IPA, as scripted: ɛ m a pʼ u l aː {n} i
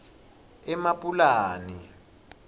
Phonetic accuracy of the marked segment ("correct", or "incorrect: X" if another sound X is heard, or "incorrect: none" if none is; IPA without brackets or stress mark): correct